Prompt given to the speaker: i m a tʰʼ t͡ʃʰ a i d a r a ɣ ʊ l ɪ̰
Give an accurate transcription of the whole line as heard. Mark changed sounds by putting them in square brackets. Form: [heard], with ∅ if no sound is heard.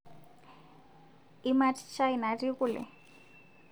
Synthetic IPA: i m a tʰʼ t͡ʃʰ a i [n] a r [i] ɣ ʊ l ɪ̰